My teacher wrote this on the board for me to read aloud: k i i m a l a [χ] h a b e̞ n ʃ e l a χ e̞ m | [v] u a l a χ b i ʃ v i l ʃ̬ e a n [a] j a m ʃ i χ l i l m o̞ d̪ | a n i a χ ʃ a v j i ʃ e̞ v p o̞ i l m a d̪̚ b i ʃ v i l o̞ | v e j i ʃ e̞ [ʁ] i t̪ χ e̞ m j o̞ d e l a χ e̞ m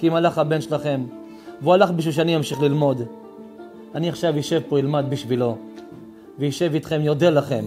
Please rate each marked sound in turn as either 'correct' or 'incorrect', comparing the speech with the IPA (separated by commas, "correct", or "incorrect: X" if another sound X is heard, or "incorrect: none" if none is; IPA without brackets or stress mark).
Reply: correct, correct, incorrect: i, incorrect: v